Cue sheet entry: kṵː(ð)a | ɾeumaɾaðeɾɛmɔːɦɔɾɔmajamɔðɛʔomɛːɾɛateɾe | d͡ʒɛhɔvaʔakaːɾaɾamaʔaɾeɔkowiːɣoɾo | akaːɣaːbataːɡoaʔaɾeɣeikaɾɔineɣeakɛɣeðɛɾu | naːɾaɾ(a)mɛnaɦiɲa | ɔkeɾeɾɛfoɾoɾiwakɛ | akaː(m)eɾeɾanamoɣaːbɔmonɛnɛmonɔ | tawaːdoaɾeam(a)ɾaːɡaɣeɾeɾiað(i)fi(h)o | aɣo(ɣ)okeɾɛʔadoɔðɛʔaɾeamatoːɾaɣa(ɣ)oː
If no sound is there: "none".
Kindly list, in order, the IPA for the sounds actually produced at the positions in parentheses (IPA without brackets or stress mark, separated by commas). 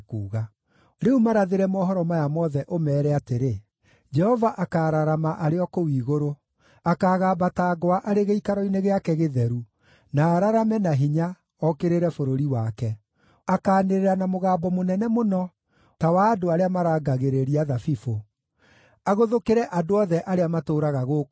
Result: ɣ, a, n, a, a, f, ð, ɣ